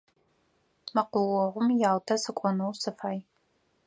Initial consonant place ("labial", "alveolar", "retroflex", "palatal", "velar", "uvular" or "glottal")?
labial